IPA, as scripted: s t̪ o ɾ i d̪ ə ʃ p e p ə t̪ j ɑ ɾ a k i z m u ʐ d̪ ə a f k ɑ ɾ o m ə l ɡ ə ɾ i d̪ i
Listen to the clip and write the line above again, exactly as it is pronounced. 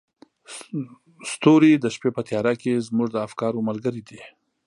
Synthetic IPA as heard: s t̪ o ɾ i d̪ ə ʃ p e p ə t̪ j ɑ ɾ a k e z m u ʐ d̪ ə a f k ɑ ɾ o m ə l ɡ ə ɾ i d̪ i